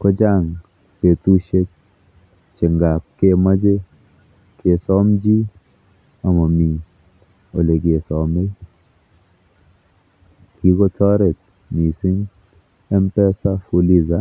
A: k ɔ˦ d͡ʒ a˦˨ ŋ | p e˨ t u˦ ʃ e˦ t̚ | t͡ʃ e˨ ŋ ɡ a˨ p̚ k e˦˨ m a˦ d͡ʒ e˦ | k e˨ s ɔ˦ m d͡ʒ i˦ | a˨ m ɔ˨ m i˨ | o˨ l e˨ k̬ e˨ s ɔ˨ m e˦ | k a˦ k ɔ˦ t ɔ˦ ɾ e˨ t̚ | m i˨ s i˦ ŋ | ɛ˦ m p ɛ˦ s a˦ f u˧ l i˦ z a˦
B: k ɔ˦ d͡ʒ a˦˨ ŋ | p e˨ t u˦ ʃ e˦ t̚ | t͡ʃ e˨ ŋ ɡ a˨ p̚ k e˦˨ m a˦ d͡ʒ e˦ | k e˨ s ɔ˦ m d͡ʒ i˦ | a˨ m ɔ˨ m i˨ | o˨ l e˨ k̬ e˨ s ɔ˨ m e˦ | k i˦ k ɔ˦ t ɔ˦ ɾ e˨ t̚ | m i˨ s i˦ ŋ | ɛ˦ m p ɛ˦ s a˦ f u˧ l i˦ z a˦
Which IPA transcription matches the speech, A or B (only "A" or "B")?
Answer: B